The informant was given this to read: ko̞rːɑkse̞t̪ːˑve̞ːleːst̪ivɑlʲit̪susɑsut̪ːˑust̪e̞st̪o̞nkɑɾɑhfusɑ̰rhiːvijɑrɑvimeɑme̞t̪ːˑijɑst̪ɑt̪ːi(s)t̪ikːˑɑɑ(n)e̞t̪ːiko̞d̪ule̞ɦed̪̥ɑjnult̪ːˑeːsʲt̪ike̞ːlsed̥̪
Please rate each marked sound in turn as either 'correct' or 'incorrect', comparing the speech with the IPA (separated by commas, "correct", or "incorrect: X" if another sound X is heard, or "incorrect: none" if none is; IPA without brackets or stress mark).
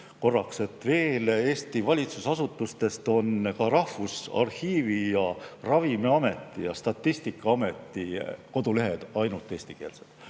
correct, incorrect: m